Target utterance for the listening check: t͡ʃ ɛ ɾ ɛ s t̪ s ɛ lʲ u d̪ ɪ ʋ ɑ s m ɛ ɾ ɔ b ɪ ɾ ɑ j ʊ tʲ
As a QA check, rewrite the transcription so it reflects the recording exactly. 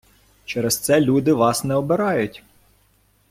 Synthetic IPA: t͡ʃ ɛ ɾ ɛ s t̪ s ɛ lʲ u d̪ ɪ ʋ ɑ s n ɛ ɔ b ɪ ɾ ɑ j ʊ tʲ

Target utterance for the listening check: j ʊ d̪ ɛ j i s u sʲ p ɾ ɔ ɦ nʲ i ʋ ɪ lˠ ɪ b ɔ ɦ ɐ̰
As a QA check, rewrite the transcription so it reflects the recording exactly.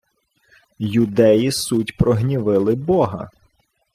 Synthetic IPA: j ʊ d̪ ɛ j i s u tʲ p ɾ ɔ ɦ nʲ i ʋ ɪ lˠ ɪ b ɔ ɦ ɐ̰

